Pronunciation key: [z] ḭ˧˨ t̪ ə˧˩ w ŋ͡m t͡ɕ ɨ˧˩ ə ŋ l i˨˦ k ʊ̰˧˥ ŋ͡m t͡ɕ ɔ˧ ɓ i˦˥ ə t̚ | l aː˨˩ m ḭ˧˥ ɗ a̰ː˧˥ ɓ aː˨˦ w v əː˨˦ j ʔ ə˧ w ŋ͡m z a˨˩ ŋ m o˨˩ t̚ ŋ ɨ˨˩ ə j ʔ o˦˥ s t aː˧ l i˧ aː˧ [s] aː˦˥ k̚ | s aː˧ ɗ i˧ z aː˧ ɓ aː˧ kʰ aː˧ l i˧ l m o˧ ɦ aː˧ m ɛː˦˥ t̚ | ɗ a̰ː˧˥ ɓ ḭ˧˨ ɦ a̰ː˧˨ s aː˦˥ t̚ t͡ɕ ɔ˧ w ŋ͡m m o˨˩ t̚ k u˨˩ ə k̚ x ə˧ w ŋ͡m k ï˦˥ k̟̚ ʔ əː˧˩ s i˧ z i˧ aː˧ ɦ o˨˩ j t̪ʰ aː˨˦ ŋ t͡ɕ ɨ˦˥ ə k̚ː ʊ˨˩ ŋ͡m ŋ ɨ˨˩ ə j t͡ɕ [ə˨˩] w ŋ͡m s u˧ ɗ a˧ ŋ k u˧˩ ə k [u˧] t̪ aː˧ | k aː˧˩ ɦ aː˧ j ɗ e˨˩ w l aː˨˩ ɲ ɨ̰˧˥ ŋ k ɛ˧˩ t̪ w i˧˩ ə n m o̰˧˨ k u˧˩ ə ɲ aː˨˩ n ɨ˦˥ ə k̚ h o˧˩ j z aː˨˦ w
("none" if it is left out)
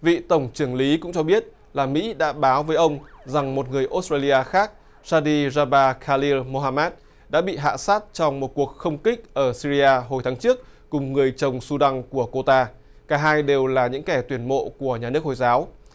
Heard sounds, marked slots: v, x, ə˨˩, o˧

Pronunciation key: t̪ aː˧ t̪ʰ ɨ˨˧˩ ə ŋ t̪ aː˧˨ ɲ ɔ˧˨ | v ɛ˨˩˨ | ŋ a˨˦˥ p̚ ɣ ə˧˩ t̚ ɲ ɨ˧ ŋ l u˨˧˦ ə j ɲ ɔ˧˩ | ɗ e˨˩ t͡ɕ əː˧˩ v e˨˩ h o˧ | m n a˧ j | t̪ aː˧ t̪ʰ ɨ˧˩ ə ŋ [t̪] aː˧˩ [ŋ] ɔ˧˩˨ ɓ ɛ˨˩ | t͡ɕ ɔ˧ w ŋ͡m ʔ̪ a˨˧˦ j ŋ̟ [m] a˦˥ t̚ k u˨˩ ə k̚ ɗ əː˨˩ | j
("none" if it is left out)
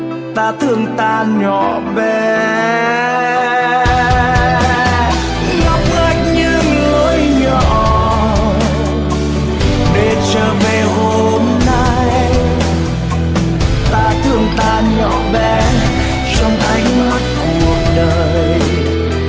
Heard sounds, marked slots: t̪, ɲ, m

